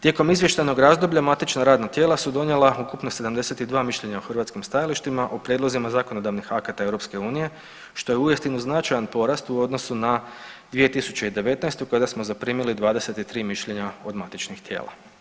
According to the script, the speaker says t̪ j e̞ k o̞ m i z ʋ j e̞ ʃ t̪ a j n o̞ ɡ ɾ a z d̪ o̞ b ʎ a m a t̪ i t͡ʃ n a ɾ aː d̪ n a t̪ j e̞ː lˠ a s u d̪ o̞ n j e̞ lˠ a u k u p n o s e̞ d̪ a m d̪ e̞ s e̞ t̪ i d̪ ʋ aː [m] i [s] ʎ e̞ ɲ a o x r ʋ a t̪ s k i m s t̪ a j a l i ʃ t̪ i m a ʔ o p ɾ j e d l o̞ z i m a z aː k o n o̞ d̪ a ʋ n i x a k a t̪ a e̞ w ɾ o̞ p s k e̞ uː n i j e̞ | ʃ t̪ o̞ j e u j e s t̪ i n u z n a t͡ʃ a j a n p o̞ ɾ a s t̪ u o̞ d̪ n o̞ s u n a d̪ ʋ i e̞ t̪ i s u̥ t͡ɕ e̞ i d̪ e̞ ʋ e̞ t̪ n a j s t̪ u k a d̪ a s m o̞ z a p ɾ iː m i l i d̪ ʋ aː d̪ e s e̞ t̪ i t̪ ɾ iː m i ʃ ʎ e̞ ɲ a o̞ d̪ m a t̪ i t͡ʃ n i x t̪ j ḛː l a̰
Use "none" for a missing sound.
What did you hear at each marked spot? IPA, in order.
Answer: m, ʃ

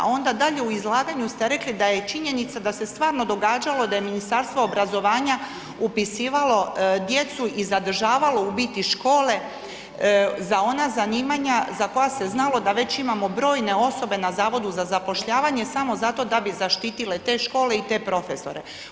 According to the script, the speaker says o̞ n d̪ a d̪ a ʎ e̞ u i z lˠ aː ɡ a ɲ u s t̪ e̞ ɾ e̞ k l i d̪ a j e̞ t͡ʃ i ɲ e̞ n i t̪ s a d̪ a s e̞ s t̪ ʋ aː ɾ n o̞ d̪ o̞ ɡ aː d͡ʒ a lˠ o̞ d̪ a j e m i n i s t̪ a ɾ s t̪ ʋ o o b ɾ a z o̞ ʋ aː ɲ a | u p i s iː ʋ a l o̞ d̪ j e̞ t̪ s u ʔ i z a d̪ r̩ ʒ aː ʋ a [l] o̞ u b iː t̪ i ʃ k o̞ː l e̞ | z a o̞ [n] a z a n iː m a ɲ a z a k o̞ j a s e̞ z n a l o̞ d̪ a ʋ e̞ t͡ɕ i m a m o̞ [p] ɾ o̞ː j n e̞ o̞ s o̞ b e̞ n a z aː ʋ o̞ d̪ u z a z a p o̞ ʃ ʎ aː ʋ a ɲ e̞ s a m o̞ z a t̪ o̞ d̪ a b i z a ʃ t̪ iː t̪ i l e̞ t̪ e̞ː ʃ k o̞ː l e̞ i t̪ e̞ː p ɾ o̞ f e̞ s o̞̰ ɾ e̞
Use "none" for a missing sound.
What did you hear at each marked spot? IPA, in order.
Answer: l, n, b

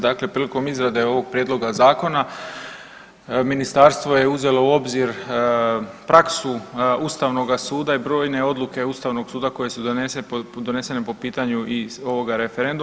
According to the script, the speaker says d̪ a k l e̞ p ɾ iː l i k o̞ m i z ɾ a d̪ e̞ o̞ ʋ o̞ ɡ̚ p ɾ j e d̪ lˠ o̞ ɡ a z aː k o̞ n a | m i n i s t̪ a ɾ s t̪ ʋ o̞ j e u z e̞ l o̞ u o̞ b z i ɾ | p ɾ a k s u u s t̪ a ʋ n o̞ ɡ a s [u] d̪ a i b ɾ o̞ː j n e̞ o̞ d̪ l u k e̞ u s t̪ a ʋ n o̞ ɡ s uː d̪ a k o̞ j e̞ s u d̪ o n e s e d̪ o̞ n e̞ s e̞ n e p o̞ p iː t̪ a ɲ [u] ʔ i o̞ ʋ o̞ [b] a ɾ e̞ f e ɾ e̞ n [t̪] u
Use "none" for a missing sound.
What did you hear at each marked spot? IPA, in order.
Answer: uː, u, ɡ, d̪

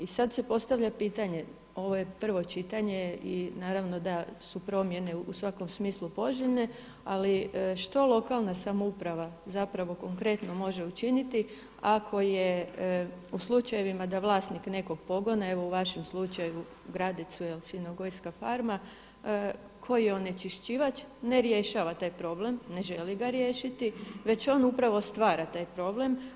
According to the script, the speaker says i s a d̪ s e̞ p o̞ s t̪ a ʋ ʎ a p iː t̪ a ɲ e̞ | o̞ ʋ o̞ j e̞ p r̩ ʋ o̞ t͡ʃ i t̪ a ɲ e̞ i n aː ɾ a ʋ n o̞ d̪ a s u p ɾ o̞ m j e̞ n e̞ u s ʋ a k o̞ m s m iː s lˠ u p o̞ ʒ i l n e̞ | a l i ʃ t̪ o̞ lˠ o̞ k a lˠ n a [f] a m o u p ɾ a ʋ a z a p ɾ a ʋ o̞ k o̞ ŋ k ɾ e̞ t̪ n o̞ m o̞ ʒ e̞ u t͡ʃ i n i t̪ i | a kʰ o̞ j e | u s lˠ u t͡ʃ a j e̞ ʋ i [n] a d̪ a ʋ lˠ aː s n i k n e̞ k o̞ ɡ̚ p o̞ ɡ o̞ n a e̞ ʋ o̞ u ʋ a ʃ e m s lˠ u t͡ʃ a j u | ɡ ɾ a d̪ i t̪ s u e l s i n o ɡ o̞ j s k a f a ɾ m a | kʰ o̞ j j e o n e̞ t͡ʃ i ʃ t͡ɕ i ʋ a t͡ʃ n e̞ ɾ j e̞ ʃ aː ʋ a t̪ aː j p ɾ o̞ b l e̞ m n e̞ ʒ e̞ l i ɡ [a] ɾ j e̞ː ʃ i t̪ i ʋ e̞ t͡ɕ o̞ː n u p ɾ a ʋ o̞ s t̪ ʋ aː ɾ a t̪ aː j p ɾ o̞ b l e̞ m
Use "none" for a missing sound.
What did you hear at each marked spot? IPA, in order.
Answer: s, m, a

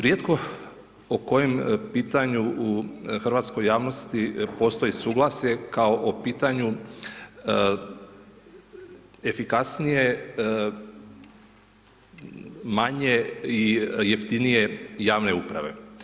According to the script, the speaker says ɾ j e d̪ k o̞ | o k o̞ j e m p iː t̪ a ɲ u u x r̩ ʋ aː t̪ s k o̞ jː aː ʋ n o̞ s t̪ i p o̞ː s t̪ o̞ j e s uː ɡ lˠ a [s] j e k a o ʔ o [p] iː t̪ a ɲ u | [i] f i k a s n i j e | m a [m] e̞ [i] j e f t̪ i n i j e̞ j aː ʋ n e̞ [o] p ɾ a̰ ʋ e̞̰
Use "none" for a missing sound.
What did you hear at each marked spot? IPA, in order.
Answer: s, p, e, ɲ, i, u

